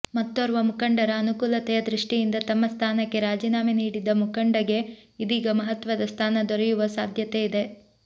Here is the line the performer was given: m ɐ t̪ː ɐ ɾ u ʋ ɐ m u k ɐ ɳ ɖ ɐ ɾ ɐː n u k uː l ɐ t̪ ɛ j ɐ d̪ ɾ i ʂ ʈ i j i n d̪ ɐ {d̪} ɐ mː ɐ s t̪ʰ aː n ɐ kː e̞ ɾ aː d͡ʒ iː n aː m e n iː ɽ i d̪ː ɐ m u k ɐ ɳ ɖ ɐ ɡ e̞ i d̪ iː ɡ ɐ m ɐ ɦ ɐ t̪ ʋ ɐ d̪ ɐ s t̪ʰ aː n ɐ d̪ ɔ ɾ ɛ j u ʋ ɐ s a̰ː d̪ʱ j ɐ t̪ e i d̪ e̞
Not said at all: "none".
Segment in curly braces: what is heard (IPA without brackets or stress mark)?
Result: t̪